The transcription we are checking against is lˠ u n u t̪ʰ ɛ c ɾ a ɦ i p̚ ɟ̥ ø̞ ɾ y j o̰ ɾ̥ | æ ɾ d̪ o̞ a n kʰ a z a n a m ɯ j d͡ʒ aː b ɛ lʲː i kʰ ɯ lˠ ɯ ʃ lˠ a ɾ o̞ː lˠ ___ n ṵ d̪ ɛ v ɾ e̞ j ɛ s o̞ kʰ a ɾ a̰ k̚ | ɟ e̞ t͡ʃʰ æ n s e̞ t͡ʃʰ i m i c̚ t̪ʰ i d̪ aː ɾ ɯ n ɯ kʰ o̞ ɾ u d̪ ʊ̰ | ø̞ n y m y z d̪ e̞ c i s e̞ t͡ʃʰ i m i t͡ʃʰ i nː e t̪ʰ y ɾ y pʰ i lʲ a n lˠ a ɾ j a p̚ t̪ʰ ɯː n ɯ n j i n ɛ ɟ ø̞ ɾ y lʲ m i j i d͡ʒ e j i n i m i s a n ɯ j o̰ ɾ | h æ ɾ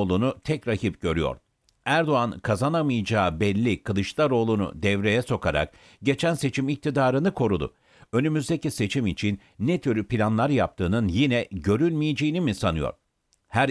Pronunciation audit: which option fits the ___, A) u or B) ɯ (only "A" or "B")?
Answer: A